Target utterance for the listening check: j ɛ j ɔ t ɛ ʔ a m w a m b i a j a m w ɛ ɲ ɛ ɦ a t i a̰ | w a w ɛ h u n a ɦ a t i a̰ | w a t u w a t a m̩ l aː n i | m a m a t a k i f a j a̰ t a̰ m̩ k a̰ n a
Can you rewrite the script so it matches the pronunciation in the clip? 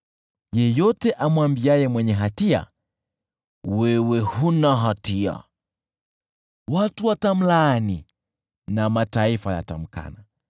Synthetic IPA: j ɛ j ɔ t ɛ ʔ a m w a m b i a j ɛ m w ɛ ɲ ɛ ɦ a t i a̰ | w ɛ w ɛ h u n a ɦ a t i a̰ | w a t u w a t a m̩ l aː n i | n a m a t a i f a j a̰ t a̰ m̩ k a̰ n a